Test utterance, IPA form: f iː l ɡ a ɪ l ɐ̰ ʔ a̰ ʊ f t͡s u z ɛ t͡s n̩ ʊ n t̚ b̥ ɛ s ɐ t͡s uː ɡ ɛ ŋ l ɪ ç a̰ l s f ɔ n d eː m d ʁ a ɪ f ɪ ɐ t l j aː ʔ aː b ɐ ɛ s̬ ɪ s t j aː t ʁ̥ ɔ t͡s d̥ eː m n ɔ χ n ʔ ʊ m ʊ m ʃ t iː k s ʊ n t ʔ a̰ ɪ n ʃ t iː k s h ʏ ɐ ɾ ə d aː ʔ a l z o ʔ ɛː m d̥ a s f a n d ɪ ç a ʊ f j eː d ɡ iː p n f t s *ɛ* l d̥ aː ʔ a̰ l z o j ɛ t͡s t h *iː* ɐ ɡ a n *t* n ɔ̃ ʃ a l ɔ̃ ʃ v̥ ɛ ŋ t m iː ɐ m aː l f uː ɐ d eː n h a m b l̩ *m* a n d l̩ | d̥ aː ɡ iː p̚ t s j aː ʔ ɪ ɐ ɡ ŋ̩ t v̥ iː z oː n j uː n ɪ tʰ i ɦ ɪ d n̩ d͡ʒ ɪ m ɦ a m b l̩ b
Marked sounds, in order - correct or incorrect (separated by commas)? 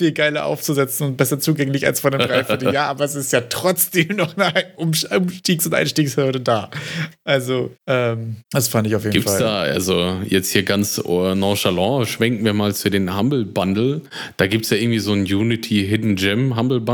incorrect, correct, incorrect, incorrect